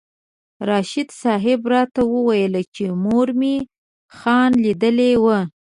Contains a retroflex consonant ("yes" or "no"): no